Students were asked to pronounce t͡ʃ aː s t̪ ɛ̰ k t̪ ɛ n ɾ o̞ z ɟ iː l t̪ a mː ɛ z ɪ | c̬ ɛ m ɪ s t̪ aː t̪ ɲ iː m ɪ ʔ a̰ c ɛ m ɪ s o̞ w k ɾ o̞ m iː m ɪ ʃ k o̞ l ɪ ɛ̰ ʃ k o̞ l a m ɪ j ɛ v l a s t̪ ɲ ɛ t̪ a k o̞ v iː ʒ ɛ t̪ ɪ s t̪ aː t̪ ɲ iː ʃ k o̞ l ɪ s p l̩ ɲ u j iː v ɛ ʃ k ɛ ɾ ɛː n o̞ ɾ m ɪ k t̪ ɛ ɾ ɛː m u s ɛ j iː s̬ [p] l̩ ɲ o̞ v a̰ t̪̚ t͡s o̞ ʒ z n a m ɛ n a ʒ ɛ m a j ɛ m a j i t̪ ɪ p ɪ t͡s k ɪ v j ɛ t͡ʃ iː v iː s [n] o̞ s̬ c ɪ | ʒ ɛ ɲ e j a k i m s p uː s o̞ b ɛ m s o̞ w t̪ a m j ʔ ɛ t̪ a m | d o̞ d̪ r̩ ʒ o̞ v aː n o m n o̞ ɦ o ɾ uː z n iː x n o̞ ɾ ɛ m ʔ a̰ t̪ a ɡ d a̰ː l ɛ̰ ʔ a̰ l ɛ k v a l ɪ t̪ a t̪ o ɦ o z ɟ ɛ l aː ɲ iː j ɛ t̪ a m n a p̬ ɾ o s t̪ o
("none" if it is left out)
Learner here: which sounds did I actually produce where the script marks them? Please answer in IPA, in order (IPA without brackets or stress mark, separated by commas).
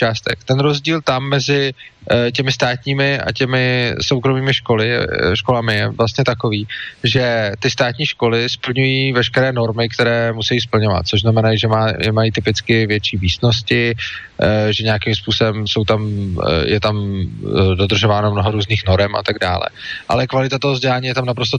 p, n